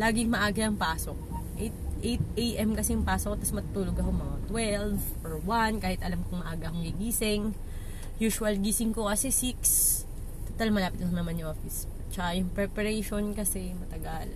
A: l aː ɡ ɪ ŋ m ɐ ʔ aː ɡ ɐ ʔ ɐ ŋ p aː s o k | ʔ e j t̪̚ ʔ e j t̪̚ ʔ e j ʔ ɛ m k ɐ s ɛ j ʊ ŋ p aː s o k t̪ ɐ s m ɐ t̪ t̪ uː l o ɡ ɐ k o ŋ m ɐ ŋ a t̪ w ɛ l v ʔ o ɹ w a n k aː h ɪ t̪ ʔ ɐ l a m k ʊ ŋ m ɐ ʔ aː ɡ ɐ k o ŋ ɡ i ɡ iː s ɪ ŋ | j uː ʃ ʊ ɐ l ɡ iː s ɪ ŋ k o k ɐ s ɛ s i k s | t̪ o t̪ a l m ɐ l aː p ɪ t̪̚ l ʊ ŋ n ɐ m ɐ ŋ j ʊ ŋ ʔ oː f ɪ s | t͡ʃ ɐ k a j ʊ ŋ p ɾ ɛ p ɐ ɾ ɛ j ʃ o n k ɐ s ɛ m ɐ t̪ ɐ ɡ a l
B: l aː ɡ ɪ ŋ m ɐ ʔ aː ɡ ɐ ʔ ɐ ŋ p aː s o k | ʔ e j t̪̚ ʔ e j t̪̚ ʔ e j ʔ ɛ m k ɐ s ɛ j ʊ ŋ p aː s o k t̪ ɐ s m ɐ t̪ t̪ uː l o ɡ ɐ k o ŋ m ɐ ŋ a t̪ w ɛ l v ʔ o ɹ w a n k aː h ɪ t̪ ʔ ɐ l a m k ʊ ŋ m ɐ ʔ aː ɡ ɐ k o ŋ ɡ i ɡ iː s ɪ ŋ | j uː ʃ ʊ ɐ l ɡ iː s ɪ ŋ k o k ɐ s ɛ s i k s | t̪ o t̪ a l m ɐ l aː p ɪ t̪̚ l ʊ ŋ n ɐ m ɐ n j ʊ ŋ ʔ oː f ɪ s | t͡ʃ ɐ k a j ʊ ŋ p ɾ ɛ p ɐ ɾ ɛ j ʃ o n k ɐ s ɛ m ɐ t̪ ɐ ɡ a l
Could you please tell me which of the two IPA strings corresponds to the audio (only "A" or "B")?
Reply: B